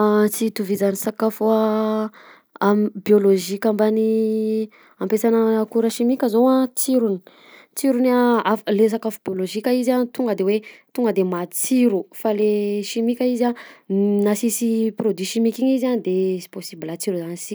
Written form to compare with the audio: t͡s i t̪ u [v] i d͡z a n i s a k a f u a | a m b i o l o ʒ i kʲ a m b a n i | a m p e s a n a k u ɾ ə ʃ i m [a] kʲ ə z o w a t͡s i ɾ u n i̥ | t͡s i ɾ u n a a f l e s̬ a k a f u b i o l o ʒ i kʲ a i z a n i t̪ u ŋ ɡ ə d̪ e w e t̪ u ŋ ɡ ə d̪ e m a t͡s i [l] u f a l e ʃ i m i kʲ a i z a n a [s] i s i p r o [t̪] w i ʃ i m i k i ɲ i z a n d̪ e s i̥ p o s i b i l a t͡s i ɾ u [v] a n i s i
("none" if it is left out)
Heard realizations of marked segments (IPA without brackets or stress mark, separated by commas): v, i, ɾ, s, d̪, z